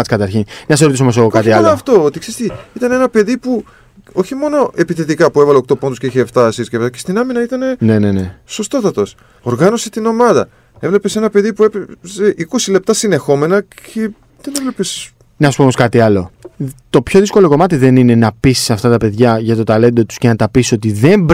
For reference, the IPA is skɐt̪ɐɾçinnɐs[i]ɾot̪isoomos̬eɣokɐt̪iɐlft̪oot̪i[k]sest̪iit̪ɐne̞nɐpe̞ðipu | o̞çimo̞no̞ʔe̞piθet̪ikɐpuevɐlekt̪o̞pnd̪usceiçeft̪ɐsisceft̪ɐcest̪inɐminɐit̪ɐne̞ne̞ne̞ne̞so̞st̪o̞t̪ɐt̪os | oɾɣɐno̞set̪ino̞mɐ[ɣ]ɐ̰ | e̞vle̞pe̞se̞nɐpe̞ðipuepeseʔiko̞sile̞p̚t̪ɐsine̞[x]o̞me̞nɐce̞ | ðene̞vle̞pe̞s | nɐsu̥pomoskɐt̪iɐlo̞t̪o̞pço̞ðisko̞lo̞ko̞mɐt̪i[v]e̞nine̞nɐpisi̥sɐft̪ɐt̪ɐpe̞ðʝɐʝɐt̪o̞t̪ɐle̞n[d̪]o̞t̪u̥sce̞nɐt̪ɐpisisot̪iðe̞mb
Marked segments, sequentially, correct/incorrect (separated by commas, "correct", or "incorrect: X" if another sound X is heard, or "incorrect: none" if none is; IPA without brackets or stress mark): incorrect: e, correct, incorrect: ð, correct, incorrect: ð, correct